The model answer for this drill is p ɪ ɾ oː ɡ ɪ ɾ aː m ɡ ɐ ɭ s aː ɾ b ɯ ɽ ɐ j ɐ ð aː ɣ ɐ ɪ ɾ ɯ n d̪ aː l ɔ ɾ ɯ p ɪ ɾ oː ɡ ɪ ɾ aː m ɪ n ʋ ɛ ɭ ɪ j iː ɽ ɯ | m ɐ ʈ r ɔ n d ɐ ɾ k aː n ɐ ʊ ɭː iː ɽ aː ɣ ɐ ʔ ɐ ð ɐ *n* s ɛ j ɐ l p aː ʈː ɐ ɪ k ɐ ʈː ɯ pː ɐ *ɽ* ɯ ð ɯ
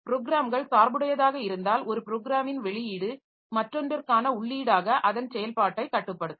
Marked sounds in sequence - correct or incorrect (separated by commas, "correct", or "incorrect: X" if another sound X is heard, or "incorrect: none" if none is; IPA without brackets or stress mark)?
correct, correct